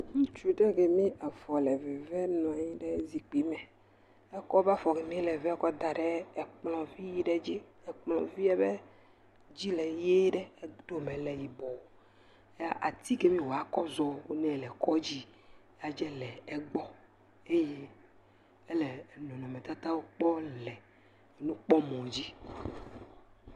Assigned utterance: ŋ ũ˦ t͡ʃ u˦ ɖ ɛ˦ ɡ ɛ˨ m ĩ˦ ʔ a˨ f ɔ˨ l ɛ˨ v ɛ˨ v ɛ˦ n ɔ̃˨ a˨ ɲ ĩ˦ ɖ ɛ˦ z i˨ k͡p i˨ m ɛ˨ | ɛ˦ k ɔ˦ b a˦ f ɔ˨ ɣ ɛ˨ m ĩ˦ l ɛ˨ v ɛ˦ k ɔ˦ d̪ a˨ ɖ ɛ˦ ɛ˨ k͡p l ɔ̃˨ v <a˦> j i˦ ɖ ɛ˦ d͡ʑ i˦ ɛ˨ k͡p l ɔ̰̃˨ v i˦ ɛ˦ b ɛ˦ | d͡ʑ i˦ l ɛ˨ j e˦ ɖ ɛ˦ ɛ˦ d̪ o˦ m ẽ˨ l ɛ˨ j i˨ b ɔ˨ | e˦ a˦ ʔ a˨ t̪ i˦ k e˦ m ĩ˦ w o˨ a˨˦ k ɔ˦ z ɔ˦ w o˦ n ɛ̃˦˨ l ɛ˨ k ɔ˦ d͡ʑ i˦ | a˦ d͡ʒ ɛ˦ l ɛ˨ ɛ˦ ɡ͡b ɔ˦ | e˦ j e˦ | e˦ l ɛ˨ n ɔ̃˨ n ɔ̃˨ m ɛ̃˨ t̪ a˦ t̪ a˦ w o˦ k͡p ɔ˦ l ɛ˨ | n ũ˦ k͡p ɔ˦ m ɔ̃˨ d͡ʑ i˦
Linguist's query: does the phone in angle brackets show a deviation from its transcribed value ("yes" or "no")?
yes